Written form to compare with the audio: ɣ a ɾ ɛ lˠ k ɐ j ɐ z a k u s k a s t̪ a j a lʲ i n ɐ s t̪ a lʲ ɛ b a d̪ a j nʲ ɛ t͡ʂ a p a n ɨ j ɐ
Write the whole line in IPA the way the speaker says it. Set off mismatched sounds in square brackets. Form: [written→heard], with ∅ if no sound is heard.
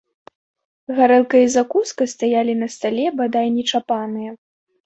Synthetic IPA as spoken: ɣ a ɾ ɛ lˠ k ɐ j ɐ z a k u s k [a→ɐ] s t̪ a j a lʲ i n ɐ s t̪ a lʲ ɛ b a d̪ a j nʲ ɛ t͡ʂ a p a n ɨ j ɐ